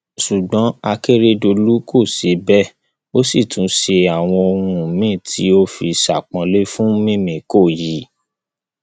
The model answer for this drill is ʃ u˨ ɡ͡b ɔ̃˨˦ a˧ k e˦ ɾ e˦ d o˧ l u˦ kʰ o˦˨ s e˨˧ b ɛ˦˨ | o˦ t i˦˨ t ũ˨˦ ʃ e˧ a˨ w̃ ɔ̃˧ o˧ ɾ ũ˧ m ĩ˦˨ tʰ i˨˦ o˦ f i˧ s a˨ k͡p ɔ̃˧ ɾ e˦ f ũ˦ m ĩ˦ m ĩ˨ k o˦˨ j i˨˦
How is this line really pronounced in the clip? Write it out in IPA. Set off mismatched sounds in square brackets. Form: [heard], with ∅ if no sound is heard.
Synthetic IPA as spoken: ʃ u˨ ɡ͡b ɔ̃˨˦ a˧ k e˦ ɾ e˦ d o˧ l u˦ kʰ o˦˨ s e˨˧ b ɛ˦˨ | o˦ [s] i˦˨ t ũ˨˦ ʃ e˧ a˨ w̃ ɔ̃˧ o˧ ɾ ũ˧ m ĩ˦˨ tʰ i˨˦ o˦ f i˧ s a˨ k͡p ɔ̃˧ [l] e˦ f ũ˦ m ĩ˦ m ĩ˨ k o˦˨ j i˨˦